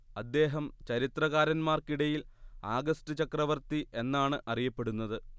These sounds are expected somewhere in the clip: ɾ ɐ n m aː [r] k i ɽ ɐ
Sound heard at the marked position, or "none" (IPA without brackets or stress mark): r